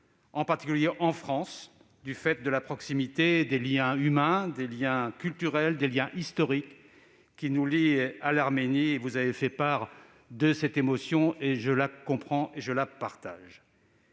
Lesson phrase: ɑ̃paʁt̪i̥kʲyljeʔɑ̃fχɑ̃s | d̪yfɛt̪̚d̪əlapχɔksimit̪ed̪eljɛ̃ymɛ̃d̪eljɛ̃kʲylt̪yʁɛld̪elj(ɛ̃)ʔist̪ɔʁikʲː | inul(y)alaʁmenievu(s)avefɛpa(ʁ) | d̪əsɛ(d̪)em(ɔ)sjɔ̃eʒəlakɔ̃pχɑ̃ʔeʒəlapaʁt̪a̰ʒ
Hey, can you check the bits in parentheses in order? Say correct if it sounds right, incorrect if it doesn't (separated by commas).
correct, incorrect, incorrect, correct, incorrect, correct